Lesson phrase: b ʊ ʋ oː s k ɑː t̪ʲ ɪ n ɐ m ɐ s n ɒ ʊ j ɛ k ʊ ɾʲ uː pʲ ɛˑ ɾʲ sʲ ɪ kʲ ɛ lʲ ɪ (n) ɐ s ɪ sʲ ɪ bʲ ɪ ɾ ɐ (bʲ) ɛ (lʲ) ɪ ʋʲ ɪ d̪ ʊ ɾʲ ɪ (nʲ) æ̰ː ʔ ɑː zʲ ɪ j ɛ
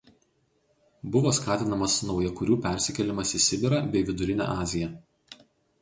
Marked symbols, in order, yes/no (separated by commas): no, yes, no, yes